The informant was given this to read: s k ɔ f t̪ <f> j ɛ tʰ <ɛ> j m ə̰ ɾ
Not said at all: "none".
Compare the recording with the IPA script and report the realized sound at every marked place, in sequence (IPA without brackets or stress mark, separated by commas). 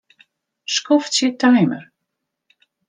s, a